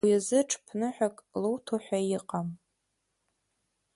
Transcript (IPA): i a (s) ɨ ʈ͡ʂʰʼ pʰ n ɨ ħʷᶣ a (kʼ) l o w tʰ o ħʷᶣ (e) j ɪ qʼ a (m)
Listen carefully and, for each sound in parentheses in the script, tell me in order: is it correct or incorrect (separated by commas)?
incorrect, correct, incorrect, correct